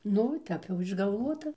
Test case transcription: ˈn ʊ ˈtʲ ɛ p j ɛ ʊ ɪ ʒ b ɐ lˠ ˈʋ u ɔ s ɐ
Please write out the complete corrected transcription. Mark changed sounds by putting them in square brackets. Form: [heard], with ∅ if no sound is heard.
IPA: ˈn ʊ ˈtʲ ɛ p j ɛ ʊ ɪ ʒ [ɡ] ɐ lˠ ˈʋ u ɔ [t] ɐ